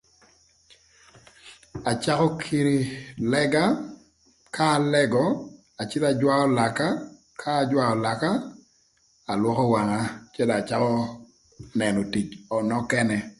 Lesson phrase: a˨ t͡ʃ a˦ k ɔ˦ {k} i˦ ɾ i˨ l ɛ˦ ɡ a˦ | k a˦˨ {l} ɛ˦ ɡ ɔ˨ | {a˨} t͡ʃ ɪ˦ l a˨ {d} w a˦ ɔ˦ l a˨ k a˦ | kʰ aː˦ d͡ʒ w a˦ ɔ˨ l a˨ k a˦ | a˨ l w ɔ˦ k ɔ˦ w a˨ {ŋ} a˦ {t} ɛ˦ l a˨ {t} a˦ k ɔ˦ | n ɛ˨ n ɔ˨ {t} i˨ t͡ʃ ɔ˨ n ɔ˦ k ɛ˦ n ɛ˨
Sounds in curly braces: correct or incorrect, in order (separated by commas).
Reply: incorrect, correct, correct, incorrect, correct, incorrect, incorrect, correct